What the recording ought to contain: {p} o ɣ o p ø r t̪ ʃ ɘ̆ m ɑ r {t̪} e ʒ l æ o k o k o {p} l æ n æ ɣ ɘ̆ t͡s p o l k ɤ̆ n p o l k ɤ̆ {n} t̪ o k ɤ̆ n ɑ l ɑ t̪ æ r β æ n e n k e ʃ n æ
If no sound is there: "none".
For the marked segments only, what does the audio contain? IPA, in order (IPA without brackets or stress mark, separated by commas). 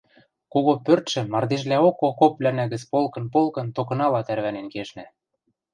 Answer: k, d̪, p, n